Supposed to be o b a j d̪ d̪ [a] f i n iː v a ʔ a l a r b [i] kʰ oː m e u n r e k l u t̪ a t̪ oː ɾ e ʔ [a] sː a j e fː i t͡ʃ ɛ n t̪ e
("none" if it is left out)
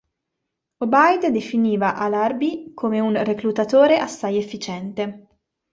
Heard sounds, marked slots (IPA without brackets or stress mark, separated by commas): e, i, a